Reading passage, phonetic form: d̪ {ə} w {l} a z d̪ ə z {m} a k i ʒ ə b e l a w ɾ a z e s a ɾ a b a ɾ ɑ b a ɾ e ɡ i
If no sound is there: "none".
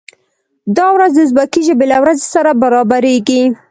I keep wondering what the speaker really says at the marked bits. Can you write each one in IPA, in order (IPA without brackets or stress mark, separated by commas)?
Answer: ɑ, ɾ, b